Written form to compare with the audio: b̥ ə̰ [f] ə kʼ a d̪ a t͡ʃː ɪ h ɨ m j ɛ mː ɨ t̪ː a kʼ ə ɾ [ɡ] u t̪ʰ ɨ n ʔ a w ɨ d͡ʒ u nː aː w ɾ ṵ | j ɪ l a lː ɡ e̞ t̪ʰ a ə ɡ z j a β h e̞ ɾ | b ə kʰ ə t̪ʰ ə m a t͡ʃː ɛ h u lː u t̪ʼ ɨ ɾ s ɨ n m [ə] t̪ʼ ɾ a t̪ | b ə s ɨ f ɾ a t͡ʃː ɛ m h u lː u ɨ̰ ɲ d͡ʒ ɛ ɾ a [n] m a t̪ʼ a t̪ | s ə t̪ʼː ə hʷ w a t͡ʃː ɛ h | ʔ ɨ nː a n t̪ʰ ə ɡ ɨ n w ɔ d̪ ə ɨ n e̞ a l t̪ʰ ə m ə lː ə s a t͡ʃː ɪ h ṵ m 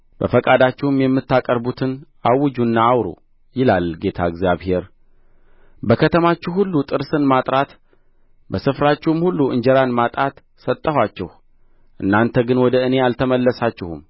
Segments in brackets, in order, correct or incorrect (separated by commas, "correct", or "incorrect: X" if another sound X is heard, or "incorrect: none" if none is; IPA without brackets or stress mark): correct, incorrect: b, incorrect: a, correct